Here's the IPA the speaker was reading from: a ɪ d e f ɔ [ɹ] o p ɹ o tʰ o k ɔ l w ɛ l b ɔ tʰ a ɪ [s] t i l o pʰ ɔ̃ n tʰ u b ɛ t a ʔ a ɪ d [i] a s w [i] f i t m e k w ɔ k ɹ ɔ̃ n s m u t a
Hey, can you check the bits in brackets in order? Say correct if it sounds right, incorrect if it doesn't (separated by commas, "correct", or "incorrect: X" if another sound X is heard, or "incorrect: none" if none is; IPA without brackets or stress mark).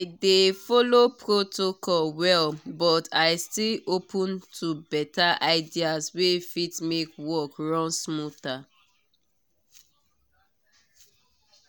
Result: incorrect: l, correct, correct, incorrect: e